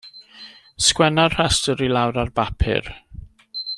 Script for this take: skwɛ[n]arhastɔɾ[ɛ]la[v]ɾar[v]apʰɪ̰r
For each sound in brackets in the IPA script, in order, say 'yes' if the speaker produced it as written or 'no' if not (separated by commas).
yes, no, no, no